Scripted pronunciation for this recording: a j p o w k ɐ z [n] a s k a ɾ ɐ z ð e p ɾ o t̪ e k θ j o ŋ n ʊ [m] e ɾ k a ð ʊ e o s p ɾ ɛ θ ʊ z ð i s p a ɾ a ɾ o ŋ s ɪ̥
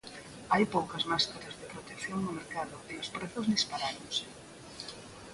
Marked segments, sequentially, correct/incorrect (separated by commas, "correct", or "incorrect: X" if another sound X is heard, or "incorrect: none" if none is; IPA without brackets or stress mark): incorrect: m, correct